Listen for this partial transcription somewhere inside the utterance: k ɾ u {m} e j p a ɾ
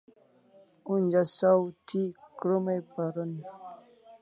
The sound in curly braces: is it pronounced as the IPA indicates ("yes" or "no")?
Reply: yes